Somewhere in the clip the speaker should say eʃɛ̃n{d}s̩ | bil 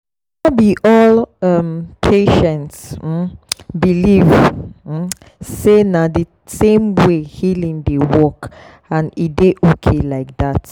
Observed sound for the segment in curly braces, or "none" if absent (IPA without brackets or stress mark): t